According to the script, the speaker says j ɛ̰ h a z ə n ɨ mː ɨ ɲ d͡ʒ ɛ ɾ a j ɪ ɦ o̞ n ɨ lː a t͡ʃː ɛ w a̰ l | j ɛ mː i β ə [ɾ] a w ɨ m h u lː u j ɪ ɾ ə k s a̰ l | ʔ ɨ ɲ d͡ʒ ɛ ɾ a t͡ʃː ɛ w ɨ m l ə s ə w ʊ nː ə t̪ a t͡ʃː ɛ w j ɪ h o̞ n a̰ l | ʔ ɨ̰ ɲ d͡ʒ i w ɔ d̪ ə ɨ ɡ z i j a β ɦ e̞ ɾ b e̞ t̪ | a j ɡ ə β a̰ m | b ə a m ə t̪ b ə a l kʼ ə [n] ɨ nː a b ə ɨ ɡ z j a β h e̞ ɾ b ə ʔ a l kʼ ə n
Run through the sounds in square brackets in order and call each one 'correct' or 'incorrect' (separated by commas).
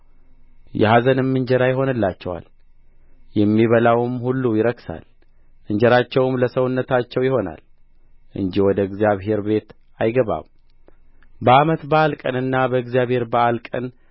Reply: incorrect, correct